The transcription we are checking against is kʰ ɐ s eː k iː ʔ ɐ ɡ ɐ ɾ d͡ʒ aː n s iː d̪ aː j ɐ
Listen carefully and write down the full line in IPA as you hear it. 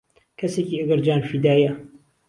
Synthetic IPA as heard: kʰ ɐ s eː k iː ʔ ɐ ɡ ɐ ɾ d͡ʒ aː n f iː d̪ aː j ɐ